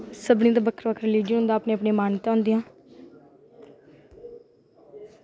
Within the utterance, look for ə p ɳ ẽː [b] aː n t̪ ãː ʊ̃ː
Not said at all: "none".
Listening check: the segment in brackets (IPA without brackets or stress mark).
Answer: m